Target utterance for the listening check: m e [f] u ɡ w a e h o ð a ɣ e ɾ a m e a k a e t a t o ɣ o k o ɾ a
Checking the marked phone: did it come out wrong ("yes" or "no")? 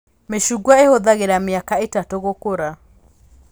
yes